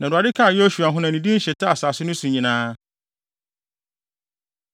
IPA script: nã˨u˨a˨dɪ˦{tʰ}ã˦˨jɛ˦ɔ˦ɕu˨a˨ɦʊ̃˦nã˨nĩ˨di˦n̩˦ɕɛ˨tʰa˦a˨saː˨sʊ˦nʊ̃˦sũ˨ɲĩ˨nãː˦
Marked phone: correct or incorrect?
incorrect